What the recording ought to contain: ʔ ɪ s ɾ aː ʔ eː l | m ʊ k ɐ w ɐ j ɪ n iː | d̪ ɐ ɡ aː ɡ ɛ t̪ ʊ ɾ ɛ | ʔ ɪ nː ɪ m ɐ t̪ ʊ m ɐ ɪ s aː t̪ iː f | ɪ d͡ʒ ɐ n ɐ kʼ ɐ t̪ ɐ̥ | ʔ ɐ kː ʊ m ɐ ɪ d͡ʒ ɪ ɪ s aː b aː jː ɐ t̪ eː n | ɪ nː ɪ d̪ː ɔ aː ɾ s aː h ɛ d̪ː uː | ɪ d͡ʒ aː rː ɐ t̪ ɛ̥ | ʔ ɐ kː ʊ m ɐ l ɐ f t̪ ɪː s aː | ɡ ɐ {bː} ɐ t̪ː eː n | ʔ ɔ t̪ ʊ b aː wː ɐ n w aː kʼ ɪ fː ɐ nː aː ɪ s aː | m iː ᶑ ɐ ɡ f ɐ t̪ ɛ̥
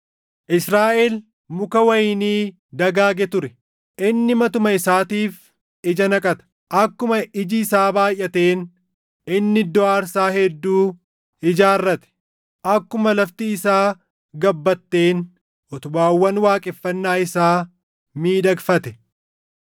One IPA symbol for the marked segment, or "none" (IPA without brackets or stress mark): bː